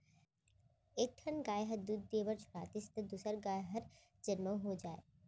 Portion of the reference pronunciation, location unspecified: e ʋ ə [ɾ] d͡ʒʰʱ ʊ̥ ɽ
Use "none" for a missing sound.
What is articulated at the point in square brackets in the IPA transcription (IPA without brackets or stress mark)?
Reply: ɾ